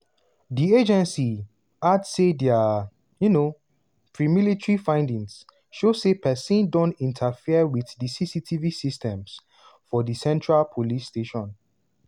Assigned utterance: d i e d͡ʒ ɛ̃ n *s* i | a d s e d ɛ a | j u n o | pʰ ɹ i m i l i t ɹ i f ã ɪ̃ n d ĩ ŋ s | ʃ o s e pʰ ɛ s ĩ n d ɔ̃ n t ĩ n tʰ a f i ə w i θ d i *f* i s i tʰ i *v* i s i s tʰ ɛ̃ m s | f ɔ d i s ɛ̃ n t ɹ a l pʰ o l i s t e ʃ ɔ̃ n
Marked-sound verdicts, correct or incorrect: correct, incorrect, correct

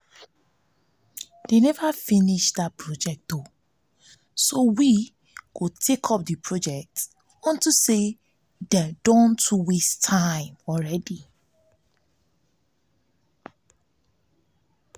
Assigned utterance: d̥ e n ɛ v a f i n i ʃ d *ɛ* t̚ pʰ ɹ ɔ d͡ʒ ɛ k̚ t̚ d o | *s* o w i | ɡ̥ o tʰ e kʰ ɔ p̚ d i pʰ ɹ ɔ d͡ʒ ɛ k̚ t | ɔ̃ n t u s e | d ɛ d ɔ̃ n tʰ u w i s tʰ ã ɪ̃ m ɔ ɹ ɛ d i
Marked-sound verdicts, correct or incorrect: incorrect, correct

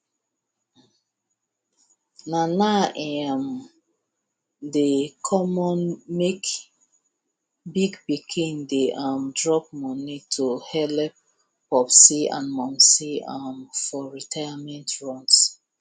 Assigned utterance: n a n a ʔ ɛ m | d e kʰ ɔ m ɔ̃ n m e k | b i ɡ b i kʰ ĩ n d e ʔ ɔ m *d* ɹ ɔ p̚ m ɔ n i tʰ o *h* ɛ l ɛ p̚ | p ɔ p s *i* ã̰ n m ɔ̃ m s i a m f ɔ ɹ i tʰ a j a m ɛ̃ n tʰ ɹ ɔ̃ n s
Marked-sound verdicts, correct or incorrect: correct, correct, correct

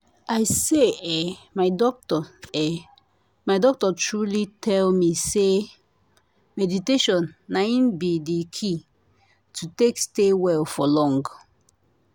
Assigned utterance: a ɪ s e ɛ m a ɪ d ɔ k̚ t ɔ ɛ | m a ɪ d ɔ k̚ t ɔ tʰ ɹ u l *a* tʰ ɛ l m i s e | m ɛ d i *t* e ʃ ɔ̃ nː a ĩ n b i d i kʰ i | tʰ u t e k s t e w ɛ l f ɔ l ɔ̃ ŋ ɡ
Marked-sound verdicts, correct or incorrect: incorrect, correct

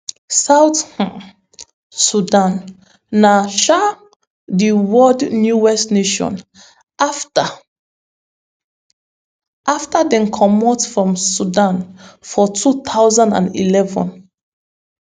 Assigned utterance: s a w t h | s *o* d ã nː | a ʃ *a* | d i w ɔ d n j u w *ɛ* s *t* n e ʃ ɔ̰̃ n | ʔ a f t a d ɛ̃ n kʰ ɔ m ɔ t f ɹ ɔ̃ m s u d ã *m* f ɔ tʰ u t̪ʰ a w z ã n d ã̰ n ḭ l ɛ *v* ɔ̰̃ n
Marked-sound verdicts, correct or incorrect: incorrect, correct, correct, correct, incorrect, correct

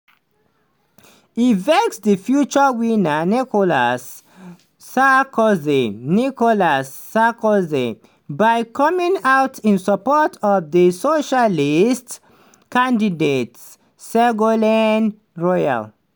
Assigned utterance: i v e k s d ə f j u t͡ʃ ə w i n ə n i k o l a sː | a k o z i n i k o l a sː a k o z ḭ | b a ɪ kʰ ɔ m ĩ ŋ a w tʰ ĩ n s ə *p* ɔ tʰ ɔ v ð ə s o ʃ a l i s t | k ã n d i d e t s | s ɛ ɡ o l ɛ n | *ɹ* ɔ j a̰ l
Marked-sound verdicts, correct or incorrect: correct, correct

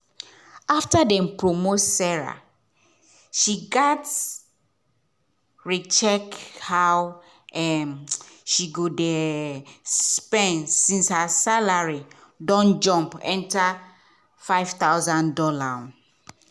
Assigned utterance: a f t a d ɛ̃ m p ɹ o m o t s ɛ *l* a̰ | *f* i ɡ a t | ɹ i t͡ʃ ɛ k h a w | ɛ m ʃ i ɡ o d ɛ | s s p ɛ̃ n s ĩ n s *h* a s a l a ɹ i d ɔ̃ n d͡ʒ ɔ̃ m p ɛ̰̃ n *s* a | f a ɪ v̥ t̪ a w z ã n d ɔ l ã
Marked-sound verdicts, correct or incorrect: incorrect, incorrect, correct, incorrect

